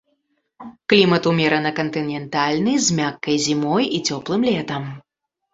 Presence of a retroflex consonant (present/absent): absent